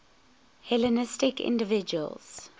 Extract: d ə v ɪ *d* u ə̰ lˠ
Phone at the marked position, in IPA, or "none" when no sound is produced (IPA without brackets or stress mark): d͡ʒ